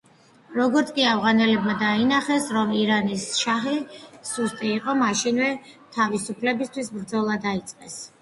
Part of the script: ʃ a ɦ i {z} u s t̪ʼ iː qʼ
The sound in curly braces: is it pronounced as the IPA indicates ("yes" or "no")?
no